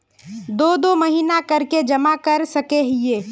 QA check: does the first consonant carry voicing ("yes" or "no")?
yes